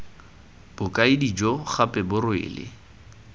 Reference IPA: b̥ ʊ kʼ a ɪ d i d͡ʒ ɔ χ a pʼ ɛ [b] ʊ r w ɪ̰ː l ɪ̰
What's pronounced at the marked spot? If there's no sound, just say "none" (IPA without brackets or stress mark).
b